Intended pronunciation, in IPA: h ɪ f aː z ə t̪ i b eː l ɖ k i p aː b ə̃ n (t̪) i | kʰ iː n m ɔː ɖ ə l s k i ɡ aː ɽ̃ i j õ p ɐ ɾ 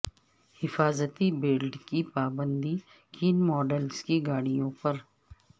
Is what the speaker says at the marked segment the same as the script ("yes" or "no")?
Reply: no